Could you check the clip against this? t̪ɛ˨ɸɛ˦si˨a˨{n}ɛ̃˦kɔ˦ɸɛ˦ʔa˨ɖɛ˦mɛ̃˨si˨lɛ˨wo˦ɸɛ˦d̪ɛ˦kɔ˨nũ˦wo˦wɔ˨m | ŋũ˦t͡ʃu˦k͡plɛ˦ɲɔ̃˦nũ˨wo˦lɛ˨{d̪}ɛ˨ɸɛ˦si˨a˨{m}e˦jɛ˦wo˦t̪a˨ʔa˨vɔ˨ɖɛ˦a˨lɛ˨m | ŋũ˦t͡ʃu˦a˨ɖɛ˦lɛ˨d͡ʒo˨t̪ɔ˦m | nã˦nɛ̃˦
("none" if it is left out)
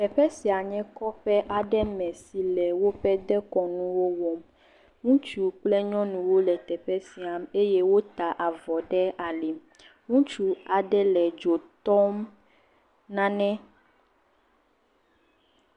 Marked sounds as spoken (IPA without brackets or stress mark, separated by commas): ɲ, t̪, m